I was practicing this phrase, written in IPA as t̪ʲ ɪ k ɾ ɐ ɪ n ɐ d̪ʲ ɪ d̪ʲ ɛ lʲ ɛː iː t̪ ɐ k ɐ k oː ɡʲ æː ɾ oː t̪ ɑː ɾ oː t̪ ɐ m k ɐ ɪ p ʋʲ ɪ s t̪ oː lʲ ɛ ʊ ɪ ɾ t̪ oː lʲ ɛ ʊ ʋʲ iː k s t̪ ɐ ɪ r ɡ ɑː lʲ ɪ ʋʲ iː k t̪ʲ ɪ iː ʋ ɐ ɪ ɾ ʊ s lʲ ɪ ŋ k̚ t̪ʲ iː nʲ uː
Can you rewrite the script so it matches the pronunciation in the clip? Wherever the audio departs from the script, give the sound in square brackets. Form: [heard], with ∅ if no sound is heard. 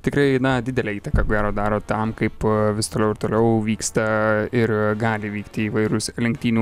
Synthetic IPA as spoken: t̪ʲ ɪ k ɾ ɐ ɪ n ɐ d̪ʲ ɪ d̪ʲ ɛ lʲ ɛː iː t̪ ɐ k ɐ k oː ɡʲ æː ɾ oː [d̪] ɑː ɾ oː t̪ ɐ m k ɐ ɪ p ʋʲ ɪ s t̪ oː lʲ ɛ ʊ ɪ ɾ t̪ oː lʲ ɛ ʊ ʋʲ iː k s t̪ ɐ ɪ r ɡ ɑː lʲ ɪ ʋʲ iː k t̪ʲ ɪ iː ʋ ɐ ɪ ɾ ʊ s lʲ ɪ ŋ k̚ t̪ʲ iː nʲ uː